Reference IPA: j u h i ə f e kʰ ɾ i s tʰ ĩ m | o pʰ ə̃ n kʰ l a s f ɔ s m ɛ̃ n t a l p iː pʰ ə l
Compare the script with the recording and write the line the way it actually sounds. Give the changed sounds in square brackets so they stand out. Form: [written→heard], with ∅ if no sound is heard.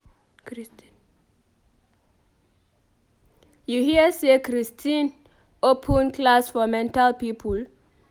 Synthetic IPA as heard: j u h i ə [f→s] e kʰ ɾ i s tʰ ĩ [m→n] | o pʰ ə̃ n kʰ l a s f ɔ [s→∅] m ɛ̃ n t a l p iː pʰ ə l